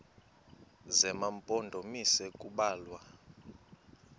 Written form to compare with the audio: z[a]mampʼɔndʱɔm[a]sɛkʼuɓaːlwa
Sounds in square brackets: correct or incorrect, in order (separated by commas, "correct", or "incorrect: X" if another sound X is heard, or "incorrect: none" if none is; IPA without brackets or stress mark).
incorrect: ɛ, incorrect: i